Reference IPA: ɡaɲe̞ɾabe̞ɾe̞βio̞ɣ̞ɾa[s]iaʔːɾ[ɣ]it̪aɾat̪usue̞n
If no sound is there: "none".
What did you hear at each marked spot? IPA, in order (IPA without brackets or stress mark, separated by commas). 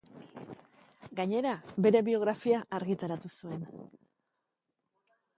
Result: f, ɣ